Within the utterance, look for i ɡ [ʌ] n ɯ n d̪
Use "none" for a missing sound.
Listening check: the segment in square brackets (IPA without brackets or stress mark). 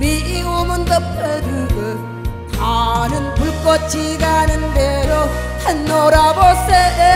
a